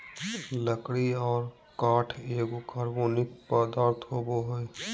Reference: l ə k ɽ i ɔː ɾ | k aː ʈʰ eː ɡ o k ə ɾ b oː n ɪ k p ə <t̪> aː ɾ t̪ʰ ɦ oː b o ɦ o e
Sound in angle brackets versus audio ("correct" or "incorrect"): incorrect